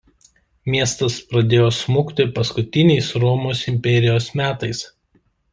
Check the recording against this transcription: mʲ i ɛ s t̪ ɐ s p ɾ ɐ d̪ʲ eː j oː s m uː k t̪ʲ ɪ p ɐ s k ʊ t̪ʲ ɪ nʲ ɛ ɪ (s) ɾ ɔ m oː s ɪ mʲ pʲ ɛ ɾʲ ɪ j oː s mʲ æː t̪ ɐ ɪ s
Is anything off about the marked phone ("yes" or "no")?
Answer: no